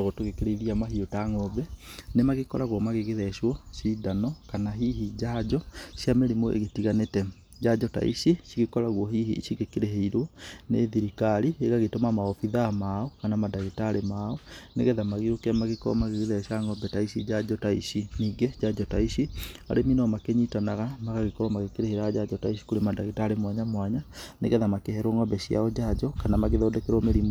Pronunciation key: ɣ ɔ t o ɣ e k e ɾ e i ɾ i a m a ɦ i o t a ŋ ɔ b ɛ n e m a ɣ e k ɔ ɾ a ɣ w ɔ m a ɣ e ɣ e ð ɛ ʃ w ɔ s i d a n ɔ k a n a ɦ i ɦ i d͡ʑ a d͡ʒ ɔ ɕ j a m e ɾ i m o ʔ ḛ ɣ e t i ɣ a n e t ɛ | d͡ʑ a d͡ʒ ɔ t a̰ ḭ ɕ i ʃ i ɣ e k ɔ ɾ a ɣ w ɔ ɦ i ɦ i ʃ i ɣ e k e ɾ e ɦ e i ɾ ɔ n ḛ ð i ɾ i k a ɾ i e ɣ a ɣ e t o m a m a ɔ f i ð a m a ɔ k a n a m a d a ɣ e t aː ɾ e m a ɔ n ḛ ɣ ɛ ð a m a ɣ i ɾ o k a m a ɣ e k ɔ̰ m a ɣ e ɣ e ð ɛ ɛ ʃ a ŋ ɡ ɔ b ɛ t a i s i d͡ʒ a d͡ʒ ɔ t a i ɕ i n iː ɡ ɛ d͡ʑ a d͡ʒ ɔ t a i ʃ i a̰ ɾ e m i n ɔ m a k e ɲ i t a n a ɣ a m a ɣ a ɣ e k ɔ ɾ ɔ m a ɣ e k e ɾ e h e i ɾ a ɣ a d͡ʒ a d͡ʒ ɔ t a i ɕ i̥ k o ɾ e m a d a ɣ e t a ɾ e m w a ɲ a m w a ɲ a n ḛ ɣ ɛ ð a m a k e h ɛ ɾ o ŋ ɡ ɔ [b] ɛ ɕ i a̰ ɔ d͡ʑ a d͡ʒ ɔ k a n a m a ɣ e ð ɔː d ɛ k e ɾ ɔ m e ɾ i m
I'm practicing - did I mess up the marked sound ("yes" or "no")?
no